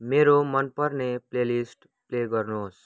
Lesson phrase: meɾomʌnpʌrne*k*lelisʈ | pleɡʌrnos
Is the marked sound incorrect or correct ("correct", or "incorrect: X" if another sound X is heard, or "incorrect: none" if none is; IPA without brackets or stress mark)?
incorrect: p